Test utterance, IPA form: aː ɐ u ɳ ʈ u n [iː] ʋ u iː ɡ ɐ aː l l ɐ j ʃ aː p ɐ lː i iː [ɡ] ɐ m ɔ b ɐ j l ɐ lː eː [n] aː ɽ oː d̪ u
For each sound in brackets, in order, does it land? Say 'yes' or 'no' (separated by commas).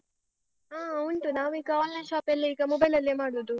no, yes, no